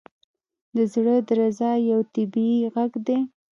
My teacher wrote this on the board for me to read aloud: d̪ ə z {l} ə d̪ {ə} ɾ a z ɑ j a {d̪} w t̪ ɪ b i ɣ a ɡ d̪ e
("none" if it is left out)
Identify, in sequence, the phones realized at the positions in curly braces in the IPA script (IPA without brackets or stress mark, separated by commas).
ɽ, ə, none